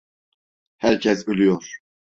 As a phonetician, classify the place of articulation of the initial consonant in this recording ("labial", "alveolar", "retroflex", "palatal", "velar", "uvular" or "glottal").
glottal